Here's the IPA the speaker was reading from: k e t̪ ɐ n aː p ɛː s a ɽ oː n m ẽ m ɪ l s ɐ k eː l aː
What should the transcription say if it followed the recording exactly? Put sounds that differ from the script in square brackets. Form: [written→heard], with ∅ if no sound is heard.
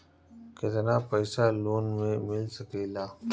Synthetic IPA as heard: k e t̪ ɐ n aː p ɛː s a [ɽ→l] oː n m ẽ m ɪ l s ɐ k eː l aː